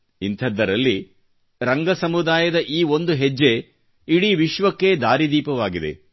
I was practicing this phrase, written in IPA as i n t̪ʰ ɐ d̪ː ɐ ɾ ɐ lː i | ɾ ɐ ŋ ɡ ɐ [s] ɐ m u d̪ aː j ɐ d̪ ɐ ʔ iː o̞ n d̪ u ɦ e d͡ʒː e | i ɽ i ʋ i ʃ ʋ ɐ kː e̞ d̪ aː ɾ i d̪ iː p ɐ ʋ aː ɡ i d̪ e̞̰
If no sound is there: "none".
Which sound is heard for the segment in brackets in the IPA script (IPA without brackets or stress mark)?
s